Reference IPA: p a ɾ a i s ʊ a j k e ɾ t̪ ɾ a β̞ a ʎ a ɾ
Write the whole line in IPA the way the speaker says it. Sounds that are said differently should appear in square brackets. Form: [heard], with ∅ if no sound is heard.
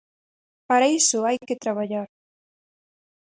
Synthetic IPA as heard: p a ɾ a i s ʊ a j k e [∅] t̪ ɾ a β̞ a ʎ a ɾ